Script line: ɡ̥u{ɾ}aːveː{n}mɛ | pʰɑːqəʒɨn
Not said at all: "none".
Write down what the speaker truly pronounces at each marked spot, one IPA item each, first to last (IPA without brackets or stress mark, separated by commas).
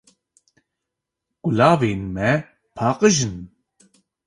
l, n